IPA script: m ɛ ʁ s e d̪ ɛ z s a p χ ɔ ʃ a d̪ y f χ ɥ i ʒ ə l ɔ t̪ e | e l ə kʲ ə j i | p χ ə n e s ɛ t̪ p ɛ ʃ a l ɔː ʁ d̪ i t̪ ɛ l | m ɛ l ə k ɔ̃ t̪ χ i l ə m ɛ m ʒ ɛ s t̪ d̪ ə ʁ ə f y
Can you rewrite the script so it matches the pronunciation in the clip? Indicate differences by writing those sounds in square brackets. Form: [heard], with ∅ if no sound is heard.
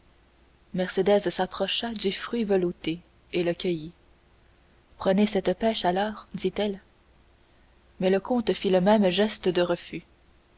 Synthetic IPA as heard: m ɛ ʁ s e d̪ ɛ z s a p χ ɔ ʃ a d̪ y f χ ɥ i [v] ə l [u] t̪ e | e l ə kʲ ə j i | p χ ə n e s ɛ t̪ p ɛ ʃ a l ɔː ʁ d̪ i t̪ ɛ l | m ɛ l ə k ɔ̃ t̪ [f] i l ə m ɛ m ʒ ɛ s t̪ d̪ ə ʁ ə f y

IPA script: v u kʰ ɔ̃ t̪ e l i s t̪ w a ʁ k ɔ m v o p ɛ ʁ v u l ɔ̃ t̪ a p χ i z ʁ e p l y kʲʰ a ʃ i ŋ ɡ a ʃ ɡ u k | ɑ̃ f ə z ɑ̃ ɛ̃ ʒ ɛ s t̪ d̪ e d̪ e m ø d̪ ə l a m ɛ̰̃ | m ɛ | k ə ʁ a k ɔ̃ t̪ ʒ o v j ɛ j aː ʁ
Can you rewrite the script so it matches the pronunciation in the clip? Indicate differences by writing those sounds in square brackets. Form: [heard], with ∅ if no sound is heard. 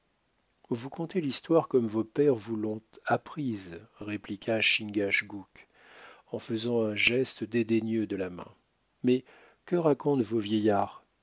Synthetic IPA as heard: v u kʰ ɔ̃ t̪ e l i s t̪ w a ʁ k ɔ m v o p ɛ ʁ v u l ɔ̃ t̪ a p χ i z ʁ e p l [i] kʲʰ a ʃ i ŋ ɡ a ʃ ɡ u k | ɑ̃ f ə z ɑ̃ ɛ̃ ʒ ɛ s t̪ d̪ e d̪ e [ɲ] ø d̪ ə l a m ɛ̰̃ | m ɛ | k ə ʁ a k ɔ̃ t̪ [v] o v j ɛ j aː ʁ

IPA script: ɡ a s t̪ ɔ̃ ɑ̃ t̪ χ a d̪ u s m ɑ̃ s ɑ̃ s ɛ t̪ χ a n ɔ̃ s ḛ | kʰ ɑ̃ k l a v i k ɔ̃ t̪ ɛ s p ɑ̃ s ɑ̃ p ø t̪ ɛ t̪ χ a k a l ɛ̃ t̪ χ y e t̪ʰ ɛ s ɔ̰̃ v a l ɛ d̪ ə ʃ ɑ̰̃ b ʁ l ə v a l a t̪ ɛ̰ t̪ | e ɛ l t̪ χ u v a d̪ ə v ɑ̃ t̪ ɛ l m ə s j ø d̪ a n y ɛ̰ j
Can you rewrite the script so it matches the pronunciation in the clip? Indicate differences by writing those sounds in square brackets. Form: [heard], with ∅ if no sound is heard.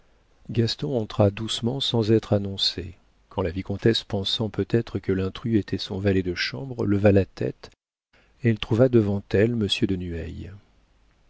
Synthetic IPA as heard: ɡ a s t̪ ɔ̃ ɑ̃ t̪ χ a d̪ u s m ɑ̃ s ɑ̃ [z] ɛ t̪ χ a n ɔ̃ s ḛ | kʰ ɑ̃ [∅] l a v i k ɔ̃ t̪ ɛ s p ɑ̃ s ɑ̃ p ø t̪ ɛ t̪ χ [ə] k [ə] l ɛ̃ t̪ χ y e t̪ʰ ɛ s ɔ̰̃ v a l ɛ d̪ ə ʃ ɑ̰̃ b ʁ l ə v a l a t̪ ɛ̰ t̪ | e ɛ l t̪ χ u v a d̪ ə v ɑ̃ t̪ ɛ l m ə s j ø d̪ [ə] n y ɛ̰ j

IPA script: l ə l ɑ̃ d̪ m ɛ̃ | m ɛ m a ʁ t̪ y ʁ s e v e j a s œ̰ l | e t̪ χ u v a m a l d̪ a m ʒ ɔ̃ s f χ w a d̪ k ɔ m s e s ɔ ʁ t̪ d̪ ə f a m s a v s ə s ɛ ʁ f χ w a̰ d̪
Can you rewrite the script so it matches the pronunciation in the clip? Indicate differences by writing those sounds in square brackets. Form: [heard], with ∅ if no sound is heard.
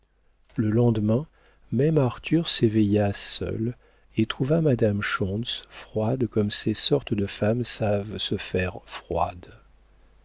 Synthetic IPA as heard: l ə l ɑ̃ d̪ m ɛ̃ | m ɛ m a ʁ t̪ y ʁ s e v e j a s œ̰ l | e t̪ χ u v a m a [∅] d̪ a m [ʃ] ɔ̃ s f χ w a d̪ k ɔ m s e s ɔ ʁ t̪ d̪ ə f a m s a v s ə [f] ɛ ʁ f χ w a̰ d̪

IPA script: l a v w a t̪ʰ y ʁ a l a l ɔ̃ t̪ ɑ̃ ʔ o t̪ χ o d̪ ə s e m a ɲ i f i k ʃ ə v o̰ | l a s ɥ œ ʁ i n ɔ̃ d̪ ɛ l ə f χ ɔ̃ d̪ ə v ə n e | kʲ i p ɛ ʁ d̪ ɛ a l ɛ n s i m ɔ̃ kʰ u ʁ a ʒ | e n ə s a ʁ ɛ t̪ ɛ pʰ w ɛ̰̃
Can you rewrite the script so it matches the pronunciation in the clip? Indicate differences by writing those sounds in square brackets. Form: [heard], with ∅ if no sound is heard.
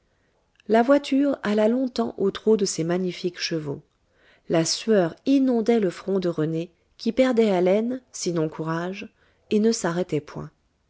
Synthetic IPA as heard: l a v w a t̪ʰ y ʁ a l a l ɔ̃ t̪ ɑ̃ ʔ o t̪ χ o d̪ ə s e m a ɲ i f i k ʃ ə v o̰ | l a s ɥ œ ʁ i n ɔ̃ d̪ ɛ l ə f χ ɔ̃ d̪ ə [ʁ] ə n e | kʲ i p ɛ ʁ d̪ ɛ a l ɛ n s i [n] ɔ̃ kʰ u ʁ a ʒ | e n ə s a ʁ ɛ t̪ ɛ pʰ w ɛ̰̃

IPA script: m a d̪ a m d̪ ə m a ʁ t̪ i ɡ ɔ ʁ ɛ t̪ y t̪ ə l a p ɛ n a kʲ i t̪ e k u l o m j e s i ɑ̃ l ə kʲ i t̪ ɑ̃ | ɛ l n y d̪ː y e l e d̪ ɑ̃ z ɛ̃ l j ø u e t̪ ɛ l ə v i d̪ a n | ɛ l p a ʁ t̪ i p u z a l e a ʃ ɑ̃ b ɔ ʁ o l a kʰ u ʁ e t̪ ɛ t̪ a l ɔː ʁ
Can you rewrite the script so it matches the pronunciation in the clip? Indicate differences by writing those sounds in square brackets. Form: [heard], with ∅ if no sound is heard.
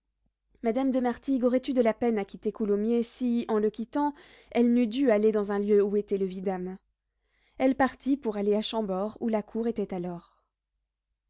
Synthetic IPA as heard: m a d̪ a m d̪ ə m a ʁ t̪ i ɡ ɔ ʁ ɛ t̪ y [d̪] ə l a p ɛ n a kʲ i t̪ e k u l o m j e s i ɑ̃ l ə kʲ i t̪ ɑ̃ | ɛ l n y [d̪] y [a] l e d̪ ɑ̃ z ɛ̃ l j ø u e t̪ ɛ l ə v i d̪ a [m] | ɛ l p a ʁ t̪ i p u [ʁ] a l e a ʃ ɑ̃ b ɔ ʁ [u] l a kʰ u ʁ e t̪ ɛ t̪ a l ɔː ʁ

